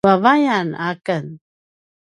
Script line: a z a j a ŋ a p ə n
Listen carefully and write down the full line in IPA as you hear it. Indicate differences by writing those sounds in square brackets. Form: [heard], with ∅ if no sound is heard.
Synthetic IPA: a [v] a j a [n] a [k] ə n